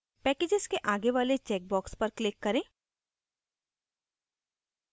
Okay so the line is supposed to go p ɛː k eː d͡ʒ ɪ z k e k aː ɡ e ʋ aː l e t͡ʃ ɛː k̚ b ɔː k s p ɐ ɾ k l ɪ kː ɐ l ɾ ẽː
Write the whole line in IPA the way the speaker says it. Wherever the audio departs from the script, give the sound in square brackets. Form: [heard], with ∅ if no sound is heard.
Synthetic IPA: p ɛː k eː d͡ʒ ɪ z k e [ʔ] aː ɡ e ʋ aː l e t͡ʃ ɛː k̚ b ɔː k s p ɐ ɾ k l ɪ kː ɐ [∅] ɾ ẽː